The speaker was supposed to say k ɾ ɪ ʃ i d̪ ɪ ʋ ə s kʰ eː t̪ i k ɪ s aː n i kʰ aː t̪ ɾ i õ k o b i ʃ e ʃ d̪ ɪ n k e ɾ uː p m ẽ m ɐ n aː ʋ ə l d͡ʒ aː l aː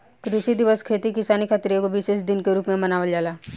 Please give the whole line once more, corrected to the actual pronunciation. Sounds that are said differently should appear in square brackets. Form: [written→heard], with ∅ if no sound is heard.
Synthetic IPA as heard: k ɾ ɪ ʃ i d̪ ɪ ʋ ə s kʰ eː t̪ i k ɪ s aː n i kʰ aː t̪ ɾ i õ k o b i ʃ e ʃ d̪ ɪ n k e ɾ uː p m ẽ m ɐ n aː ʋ ə l d͡ʒ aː l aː